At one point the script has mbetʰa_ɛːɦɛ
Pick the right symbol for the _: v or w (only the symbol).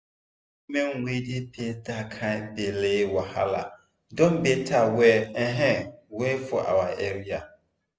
w